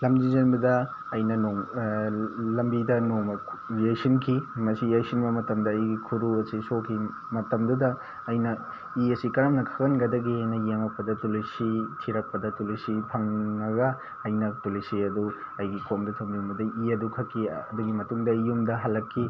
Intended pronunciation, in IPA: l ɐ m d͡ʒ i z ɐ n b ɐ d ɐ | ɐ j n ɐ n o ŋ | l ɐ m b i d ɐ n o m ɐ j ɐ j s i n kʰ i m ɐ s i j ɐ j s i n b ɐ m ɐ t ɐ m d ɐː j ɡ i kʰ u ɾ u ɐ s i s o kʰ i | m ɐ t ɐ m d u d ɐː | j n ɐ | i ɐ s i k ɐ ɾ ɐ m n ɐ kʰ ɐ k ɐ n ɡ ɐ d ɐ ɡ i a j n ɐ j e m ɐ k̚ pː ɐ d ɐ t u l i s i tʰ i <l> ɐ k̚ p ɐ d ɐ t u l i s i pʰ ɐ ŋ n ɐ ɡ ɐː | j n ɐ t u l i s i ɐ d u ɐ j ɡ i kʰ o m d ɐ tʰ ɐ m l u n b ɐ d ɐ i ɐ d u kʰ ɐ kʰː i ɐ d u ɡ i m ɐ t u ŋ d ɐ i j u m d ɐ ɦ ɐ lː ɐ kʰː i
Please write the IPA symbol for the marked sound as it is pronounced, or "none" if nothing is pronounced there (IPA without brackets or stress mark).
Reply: ɾ